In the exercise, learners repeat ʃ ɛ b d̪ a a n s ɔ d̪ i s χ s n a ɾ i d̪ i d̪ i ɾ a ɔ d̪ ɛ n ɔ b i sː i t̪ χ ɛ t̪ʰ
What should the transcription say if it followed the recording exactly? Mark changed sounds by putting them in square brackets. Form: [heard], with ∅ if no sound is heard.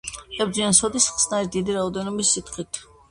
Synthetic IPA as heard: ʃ ɛ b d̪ [i] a n s ɔ d̪ i s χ s n a ɾ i d̪ i d̪ i ɾ a ɔ d̪ ɛ n ɔ b i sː i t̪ χ [i] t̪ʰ

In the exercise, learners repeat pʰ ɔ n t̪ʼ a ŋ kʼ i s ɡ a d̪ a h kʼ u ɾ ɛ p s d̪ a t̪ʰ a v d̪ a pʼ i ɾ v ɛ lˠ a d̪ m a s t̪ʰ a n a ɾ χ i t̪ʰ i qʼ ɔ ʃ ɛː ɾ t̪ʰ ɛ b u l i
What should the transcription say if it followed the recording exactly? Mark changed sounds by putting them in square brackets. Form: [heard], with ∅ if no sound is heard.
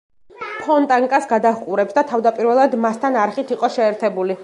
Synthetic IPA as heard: pʰ ɔ n t̪ʼ a ŋ kʼ [a] s ɡ a d̪ a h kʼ u ɾ ɛ p s d̪ a t̪ʰ a v d̪ a pʼ i ɾ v ɛ lˠ a d̪ m a s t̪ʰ a n a ɾ χ i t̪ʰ i qʼ ɔ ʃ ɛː ɾ t̪ʰ ɛ b u l i

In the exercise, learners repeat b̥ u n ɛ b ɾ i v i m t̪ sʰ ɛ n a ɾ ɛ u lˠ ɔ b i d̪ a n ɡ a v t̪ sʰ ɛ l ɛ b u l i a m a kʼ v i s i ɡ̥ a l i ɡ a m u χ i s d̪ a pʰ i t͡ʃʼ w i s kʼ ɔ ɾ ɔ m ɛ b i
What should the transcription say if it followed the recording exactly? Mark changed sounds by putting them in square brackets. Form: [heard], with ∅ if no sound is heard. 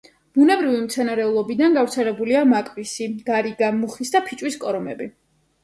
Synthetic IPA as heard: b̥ u n ɛ b ɾ i v i m t̪ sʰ ɛ n a ɾ ɛ u lˠ ɔ b i d̪ a n ɡ a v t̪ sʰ ɛ l ɛ b u l i a m a kʼ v i s i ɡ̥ a [ɾ] i ɡ a m u χ i s d̪ a pʰ i t͡ʃʼ w i s kʼ ɔ ɾ ɔ m ɛ b i

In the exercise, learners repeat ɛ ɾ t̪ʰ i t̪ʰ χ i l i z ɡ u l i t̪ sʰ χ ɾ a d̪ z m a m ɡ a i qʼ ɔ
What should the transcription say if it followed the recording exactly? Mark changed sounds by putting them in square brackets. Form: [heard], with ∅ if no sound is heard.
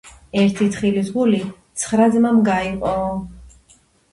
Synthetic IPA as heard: ɛ ɾ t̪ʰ i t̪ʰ χ i l i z ɡ u l i t̪ sʰ χ ɾ a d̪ z m a m ɡ a i qʼ ɔ

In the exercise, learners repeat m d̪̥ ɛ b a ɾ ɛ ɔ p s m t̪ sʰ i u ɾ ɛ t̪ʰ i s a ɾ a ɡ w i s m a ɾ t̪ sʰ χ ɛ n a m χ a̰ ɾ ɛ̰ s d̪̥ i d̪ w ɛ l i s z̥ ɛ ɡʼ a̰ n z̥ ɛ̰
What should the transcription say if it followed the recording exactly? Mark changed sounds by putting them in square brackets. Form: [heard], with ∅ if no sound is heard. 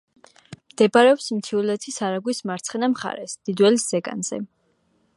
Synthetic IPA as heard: m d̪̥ ɛ b a ɾ ɛ ɔ p s m t̪ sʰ i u [l] ɛ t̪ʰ i s a ɾ a ɡ w i s m a ɾ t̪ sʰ χ ɛ n a m χ a̰ ɾ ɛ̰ s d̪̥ i d̪ w ɛ l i s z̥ ɛ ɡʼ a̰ n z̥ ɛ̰

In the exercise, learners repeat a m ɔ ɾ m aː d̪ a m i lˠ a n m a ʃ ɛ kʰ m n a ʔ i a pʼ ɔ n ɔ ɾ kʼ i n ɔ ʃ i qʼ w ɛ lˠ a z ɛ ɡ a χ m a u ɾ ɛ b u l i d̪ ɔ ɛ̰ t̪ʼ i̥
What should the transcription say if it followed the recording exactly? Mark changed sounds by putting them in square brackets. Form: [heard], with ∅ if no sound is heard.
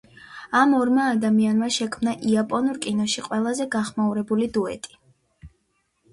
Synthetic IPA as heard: a m ɔ ɾ m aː d̪ a m i [∅] a n m a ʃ ɛ kʰ m n a ʔ i a pʼ ɔ n [u] ɾ kʼ i n ɔ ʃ i qʼ w ɛ lˠ a z ɛ ɡ a χ m a u ɾ ɛ b u l i d̪ [u] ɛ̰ t̪ʼ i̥

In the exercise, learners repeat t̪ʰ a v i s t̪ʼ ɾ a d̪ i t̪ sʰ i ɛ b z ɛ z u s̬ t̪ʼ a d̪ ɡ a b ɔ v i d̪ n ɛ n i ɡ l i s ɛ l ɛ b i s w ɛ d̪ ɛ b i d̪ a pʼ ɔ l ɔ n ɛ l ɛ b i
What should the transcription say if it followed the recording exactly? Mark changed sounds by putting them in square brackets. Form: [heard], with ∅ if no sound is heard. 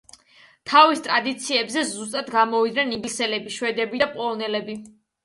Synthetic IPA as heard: t̪ʰ a v i s t̪ʼ ɾ a d̪ i t̪ sʰ i ɛ b z ɛ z u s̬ t̪ʼ a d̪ ɡ a [m] ɔ v i d̪ n ɛ n i ɡ l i s ɛ l ɛ b i [ʃ] w ɛ d̪ ɛ b i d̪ a pʼ ɔ l ɔ n ɛ l ɛ b i

